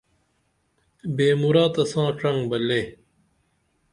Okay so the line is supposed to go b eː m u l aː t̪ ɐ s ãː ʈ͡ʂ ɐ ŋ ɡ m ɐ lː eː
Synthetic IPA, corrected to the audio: b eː m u ɾ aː t̪ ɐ s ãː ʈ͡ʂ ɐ ŋ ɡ b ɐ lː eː